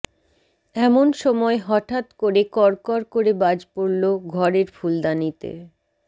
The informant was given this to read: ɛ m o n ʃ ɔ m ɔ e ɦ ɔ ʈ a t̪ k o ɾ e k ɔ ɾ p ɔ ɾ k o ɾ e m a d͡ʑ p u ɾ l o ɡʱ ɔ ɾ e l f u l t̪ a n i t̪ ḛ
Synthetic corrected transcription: ɛ m o n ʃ ɔ m ɔ e ɦ ɔ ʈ a t̪ k o ɾ e k ɔ ɾ k ɔ ɾ k o ɾ e b a d͡ʑ p o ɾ l o ɡʱ ɔ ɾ e ɾ f u l d̪ a n i t̪ ḛ